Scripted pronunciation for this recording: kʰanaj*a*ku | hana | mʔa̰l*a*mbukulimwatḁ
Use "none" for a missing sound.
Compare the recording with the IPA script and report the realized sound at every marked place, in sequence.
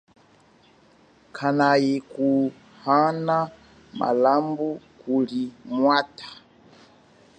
i, a

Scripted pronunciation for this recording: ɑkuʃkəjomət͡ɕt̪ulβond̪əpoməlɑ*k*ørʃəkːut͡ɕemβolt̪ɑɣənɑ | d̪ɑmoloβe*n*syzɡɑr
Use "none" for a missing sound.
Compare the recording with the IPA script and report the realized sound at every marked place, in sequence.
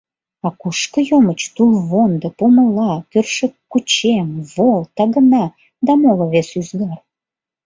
k, none

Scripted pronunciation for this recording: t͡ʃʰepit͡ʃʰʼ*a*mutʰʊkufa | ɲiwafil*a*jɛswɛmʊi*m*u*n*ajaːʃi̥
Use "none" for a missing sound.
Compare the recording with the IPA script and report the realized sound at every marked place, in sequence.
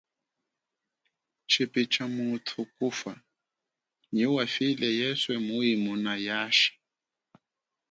a, ɛ, m, n

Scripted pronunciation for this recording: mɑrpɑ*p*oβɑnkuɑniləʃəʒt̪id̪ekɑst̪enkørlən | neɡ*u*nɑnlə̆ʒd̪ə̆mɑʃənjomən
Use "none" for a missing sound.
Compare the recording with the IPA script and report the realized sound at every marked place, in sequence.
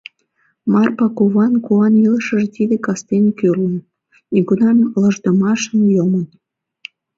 k, u

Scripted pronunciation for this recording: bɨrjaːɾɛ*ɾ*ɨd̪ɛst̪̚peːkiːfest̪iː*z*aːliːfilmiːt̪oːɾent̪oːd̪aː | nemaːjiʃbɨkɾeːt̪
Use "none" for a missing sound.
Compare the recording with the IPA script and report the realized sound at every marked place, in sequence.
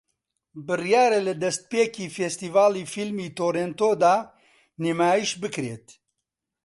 l, v

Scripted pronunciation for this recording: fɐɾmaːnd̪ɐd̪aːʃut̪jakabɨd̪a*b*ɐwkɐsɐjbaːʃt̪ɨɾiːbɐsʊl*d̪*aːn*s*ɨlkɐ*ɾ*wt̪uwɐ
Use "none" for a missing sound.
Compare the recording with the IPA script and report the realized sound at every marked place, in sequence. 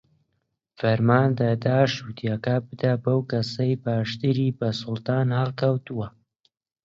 b, t̪, h, none

